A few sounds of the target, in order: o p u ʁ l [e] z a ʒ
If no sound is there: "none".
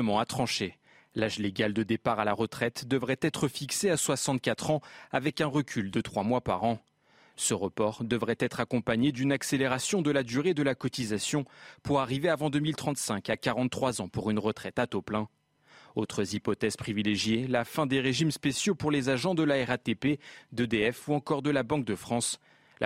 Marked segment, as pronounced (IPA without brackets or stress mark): e